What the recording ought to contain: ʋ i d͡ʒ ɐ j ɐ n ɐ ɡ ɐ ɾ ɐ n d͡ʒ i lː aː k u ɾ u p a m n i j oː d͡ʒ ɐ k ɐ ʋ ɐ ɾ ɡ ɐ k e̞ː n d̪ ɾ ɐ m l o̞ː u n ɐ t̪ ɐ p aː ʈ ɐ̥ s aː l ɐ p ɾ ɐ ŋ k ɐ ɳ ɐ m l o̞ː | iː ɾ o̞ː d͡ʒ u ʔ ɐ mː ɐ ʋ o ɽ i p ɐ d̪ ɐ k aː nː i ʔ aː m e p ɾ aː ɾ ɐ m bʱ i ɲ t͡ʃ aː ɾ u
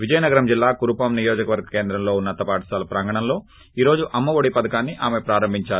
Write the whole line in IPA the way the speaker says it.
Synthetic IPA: ʋ i d͡ʒ ɐ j ɐ n ɐ ɡ ɐ ɾ ɐ m d͡ʒ i lː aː k u ɾ u p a m n i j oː d͡ʒ ɐ k ɐ ʋ ɐ ɾ ɡ ɐ k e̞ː n d̪ ɾ ɐ m l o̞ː u nː ɐ t̪ ɐ p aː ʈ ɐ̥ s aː l ɐ p ɾ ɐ ŋ ɡ ɐ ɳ ɐ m l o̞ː | iː ɾ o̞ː d͡ʒ u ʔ ɐ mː ɐ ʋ o ɽ i p ɐ d̪ ɐ k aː nː i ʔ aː m e p ɾ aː ɾ ɐ m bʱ i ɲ t͡ʃ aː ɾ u